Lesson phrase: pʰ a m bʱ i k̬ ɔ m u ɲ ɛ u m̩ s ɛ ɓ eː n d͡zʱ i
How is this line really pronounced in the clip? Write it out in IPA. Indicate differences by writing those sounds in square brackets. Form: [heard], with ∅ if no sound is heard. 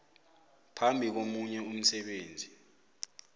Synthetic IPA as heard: pʰ a m bʱ i k̬ [o] m u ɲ ɛ u m̩ s ɛ ɓ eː n d͡zʱ i